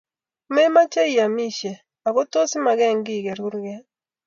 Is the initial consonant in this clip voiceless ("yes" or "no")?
no